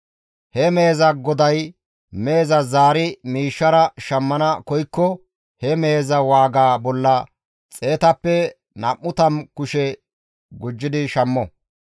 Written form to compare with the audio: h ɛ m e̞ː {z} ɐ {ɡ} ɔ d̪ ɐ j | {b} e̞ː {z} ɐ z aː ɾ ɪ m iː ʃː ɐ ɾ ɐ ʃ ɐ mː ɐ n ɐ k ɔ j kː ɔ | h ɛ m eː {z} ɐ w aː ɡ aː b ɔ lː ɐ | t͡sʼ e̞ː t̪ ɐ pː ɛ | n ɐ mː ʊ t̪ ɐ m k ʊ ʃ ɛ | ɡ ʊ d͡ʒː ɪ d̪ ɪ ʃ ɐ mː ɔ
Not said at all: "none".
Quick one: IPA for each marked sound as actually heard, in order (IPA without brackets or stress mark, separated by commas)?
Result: z, ɡ, m, z, z